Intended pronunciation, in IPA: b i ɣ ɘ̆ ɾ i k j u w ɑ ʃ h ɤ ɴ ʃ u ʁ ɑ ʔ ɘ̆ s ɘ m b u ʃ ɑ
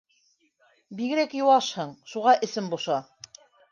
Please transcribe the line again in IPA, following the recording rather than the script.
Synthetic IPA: b i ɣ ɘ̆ ɾ æ k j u w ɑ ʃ h ɤ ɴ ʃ u ʁ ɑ ʔ ɘ̆ s ɘ m b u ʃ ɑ